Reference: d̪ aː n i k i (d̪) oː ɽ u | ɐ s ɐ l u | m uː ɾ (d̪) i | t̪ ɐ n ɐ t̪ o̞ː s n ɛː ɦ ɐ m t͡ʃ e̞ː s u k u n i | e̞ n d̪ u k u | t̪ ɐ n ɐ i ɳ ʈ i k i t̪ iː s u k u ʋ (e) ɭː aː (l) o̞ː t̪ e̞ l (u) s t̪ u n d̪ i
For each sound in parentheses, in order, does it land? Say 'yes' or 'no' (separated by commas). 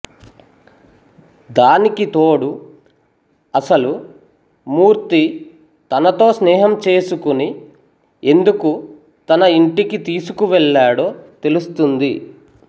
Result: no, no, no, no, yes